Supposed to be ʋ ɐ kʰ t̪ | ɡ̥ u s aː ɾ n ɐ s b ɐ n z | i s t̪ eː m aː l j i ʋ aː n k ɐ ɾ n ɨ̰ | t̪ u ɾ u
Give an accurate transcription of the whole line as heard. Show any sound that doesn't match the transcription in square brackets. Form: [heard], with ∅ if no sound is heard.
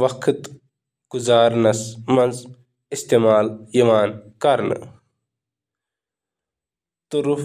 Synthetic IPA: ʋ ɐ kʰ t̪ | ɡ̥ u [z] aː ɾ n ɐ s [m] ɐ n z | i s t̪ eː m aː l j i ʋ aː n k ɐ ɾ n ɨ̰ | t̪ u ɾ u